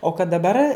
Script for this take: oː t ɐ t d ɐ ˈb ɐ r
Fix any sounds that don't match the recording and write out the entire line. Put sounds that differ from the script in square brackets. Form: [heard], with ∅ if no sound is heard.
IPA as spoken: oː [k] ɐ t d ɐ ˈb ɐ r

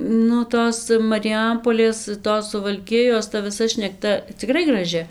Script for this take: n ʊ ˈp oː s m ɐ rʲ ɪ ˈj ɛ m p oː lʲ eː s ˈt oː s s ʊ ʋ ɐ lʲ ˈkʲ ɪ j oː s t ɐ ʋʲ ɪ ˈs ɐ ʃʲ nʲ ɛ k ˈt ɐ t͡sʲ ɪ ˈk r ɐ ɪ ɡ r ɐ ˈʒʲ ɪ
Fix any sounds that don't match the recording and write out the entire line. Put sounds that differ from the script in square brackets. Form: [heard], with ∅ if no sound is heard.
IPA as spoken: n ʊ [ˈt] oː s m ɐ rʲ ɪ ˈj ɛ m p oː lʲ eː s ˈt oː s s ʊ ʋ ɐ lʲ ˈkʲ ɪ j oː s t ɐ ʋʲ ɪ ˈs ɐ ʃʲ nʲ ɛ k ˈt ɐ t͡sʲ ɪ ˈk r ɐ ɪ ɡ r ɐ ˈʒʲ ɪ

